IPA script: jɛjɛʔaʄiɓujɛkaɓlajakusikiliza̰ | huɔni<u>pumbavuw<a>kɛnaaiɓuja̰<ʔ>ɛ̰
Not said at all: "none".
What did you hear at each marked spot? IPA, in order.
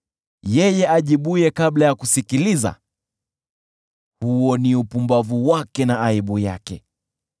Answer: u, a, k

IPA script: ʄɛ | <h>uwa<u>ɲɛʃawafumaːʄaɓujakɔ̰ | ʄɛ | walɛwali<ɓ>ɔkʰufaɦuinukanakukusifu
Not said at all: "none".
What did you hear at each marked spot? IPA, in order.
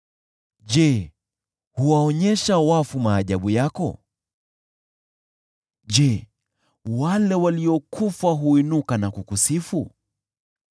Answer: h, ɔ, none

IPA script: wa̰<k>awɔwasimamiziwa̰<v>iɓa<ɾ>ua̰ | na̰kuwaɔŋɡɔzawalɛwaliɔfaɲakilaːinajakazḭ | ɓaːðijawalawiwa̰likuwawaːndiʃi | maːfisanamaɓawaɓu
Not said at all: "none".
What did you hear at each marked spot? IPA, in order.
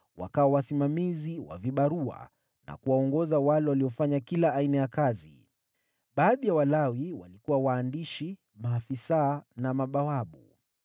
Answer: k, v, ɾ

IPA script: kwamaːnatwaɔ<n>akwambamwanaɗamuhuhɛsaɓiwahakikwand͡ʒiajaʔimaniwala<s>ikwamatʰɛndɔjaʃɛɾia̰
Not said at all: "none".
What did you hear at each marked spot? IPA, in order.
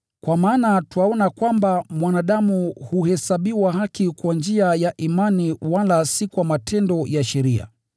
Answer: n, s

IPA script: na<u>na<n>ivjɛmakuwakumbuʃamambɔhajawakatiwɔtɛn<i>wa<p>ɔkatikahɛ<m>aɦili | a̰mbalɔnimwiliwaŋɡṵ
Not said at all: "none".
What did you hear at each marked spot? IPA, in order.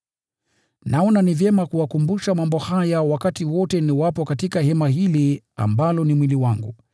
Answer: ɔ, n, i, p, m

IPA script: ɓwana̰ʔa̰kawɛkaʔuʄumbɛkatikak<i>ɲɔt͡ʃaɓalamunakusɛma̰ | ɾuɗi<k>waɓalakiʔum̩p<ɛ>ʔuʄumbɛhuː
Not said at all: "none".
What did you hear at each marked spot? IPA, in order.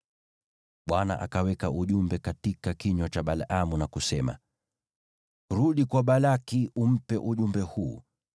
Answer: i, k, ɛ

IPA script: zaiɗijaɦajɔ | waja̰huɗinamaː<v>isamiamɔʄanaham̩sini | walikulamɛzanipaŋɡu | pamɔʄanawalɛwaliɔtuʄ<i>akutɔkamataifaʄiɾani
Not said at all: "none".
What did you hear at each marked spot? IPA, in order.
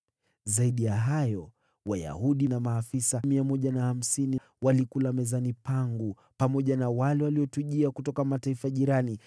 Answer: f, i

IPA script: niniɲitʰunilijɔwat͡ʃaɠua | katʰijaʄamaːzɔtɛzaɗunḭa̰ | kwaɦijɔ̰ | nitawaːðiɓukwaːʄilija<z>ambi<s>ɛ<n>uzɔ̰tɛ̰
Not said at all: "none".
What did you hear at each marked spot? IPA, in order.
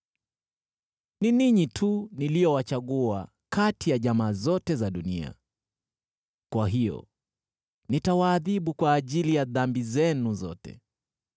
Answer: ð, z, n

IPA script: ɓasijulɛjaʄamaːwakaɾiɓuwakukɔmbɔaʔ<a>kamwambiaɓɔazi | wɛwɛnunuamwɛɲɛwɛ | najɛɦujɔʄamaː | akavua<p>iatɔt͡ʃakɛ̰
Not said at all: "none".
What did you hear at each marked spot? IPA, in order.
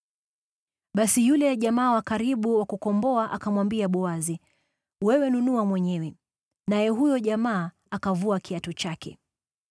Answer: a, k

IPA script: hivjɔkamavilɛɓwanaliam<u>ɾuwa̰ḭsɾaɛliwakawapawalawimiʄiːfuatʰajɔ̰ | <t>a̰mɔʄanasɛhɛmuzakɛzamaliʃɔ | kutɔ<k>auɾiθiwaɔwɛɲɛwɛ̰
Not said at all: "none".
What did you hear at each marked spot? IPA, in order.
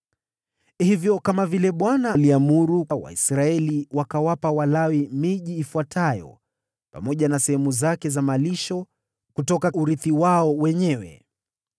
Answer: u, p, k

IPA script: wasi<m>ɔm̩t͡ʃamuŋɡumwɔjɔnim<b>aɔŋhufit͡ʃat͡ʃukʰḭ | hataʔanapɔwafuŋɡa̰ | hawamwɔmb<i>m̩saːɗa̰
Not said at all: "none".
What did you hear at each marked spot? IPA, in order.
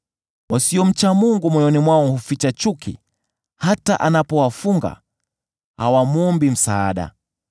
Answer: none, w, i

